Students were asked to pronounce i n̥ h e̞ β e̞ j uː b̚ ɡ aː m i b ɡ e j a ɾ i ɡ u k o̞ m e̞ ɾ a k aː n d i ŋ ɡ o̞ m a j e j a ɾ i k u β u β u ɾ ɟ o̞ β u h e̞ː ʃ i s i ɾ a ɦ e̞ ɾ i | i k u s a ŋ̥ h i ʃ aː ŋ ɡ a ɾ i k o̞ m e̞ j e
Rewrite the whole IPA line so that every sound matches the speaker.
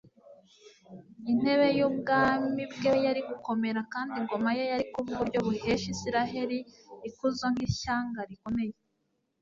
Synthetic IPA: i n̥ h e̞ β e̞ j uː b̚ ɡ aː m i b ɡ e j a ɾ i ɡ u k o̞ m e̞ ɾ a k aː n d i ŋ ɡ o̞ m a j e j a ɾ i k u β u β u ɾ ɟ o̞ β u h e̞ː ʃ i s i ɾ a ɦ e̞ ɾ i | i k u z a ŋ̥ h i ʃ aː ŋ ɡ a ɾ i k o̞ m e̞ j e